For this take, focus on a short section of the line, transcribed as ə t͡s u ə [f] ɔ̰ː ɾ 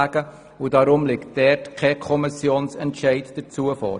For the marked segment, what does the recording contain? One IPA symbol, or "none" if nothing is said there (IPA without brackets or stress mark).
f